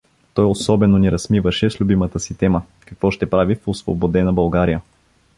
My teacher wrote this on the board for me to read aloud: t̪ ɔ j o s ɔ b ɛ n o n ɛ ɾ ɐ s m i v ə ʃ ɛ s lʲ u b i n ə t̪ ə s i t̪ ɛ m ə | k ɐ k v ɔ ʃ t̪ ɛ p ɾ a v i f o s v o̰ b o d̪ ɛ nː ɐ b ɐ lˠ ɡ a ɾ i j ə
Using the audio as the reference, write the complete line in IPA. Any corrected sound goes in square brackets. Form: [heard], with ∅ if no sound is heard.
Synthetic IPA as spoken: t̪ ɔ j o s ɔ b ɛ n o n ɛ ɾ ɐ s m i v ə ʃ ɛ s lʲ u b i [m] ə t̪ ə s i t̪ ɛ m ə | k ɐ k v ɔ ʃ t̪ ɛ p ɾ a v i f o s v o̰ b o d̪ ɛ [n] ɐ b ɐ lˠ ɡ a ɾ i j ə